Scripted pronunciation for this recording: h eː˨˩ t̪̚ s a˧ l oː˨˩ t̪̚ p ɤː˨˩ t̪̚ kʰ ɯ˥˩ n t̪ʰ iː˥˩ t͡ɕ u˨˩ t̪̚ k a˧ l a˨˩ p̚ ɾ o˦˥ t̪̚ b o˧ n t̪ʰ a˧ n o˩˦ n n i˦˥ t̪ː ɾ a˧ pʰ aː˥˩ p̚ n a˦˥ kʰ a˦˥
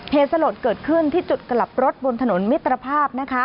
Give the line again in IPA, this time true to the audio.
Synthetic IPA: h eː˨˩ t̪̚ s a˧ l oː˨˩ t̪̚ k ɤː˨˩ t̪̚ kʰ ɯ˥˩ n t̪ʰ iː˥˩ t͡ɕ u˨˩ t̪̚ k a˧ l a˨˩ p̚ ɾ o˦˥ t̪̚ b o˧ n t̪ʰ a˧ n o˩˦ n m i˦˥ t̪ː ɾ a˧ pʰ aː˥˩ p̚ n a˦˥ kʰ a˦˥

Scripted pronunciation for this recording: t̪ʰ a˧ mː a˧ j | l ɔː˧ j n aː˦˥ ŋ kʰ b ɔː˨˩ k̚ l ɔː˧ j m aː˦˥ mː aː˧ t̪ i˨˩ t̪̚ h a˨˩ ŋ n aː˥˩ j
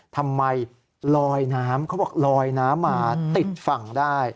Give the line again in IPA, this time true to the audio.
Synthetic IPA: t̪ʰ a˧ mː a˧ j | l ɔː˧ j n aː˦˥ m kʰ b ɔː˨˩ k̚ l ɔː˧ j n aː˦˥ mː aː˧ t̪ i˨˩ t̪̚ f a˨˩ ŋ d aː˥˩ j

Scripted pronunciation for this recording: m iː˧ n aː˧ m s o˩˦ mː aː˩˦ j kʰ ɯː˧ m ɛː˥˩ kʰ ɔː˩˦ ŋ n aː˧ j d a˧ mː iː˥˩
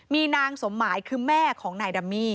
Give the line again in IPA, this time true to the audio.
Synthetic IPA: m iː˧ n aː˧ ŋ s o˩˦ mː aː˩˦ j kʰ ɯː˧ m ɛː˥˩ kʰ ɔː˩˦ ŋ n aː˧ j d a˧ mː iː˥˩

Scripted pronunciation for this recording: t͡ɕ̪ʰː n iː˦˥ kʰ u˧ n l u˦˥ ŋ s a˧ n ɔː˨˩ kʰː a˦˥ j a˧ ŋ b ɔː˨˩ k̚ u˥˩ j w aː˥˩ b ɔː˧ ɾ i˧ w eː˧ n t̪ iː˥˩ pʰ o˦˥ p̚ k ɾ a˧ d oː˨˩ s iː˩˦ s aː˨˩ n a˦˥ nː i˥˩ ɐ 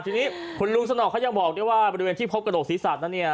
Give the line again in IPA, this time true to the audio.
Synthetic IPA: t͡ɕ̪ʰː n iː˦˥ kʰ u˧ n l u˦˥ ŋ s a˧ n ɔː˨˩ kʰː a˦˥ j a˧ ŋ b ɔː˨˩ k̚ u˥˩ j w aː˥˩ b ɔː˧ ɾ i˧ w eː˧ n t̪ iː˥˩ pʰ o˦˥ p̚ k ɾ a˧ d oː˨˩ s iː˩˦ s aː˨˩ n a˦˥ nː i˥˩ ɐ

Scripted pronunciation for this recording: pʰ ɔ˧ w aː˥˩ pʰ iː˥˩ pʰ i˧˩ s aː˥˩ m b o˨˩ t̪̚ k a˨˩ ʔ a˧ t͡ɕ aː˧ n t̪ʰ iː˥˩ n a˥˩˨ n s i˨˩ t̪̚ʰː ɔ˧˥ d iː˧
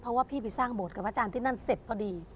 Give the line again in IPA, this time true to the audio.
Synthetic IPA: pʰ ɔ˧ w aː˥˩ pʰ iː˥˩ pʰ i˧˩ s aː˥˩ ŋ b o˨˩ t̪̚ k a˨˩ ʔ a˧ t͡ɕ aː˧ n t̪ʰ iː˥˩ n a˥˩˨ n s e˨˩ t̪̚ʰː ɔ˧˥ d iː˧

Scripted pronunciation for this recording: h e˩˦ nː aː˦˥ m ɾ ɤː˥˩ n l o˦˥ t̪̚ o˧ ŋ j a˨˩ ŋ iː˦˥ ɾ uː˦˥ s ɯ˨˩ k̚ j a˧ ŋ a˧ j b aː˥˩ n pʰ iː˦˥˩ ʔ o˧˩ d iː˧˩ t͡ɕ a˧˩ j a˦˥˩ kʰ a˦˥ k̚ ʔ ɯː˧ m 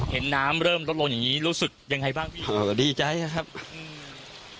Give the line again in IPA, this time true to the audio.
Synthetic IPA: h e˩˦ nː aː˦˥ m ɾ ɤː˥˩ m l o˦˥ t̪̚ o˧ ŋ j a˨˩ ŋ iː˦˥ ɾ uː˦˥ s ɯ˨˩ k̚ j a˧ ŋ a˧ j b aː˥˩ ŋ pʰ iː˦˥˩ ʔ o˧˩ d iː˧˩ t͡ɕ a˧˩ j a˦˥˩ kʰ a˦˥ p̚ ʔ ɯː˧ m

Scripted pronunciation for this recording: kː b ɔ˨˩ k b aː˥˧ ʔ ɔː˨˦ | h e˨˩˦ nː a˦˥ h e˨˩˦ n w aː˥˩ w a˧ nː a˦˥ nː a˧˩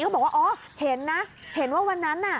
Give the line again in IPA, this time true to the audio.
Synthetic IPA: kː b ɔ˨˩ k w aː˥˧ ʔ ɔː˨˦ | h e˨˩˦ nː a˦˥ h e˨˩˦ n w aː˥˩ w a˧ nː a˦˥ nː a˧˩

